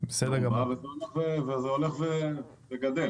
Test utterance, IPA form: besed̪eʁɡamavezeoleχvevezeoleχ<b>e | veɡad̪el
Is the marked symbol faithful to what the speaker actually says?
no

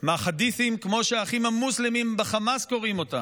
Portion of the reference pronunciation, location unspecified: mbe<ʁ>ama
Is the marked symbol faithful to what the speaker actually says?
no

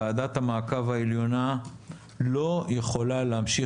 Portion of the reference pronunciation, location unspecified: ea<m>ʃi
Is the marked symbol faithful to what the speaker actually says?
yes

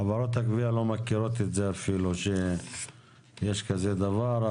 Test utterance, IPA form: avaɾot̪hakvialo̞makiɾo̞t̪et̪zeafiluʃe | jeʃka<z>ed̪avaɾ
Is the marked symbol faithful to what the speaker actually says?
yes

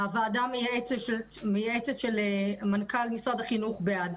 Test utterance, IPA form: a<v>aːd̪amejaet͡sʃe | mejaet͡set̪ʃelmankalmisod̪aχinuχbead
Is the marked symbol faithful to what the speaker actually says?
yes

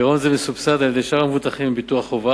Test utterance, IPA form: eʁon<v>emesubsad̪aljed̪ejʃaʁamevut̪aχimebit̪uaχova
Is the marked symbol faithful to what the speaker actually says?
no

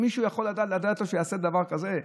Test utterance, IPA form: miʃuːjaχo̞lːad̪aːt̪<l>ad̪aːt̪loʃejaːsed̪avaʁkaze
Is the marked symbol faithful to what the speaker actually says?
yes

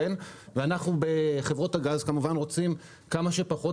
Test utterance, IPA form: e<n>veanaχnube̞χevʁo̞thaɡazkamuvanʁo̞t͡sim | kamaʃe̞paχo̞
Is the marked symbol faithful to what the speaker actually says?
yes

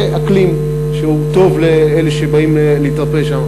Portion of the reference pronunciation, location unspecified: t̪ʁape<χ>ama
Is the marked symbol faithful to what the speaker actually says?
no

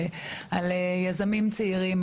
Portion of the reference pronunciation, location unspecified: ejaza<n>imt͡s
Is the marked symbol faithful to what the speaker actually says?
no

